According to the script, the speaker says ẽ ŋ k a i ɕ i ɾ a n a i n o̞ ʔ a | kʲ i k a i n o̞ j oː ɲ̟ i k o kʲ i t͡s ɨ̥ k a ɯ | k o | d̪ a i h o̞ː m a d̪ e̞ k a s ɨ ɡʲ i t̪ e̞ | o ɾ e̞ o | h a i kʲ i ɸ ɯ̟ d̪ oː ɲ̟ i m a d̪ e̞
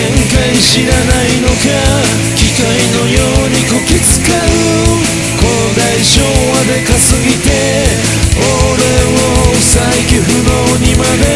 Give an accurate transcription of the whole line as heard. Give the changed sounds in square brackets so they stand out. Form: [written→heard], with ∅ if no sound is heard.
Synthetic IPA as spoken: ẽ ŋ k a i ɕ i ɾ a n a i n o̞ [ʔ→k] a | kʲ i k a i n o̞ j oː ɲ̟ i k o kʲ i t͡s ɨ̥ k a ɯ | k o | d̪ a i [h→ɕ] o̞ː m a d̪ e̞ k a s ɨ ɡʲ i t̪ e̞ | o ɾ e̞ o | [h→s] a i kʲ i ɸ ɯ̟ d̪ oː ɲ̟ i m a d̪ e̞